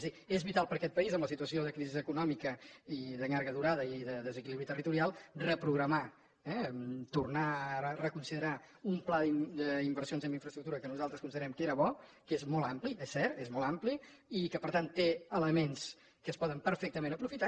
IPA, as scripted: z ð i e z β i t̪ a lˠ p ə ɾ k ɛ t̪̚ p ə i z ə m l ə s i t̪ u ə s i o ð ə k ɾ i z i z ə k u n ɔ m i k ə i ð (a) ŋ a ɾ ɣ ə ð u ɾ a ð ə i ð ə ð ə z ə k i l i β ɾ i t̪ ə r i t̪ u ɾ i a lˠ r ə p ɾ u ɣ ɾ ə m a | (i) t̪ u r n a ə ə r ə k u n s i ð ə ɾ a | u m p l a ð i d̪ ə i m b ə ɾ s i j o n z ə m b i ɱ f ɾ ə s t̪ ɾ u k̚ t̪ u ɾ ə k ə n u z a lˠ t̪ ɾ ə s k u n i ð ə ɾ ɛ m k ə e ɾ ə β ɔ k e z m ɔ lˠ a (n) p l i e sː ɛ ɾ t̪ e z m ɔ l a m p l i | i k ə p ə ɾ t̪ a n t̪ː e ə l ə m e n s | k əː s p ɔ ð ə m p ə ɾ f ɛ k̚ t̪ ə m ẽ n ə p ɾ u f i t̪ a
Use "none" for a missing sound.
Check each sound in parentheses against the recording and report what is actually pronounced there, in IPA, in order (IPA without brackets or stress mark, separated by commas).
ə, ɛ, m